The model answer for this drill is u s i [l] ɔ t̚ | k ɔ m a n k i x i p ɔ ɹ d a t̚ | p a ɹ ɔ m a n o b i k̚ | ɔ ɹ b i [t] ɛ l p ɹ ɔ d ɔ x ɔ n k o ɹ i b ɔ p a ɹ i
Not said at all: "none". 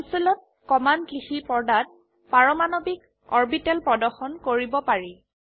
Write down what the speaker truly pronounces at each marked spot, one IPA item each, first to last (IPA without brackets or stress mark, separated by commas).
l, t